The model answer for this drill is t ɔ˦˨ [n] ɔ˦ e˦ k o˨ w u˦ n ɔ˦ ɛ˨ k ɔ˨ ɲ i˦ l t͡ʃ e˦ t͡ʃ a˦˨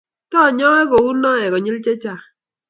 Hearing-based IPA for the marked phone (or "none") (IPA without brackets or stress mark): ɲ